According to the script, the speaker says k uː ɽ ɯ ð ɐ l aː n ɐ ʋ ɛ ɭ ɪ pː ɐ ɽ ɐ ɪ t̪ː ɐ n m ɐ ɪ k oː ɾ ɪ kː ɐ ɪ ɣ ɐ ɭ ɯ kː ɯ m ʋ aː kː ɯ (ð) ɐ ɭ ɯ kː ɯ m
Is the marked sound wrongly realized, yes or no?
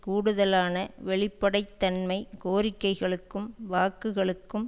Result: yes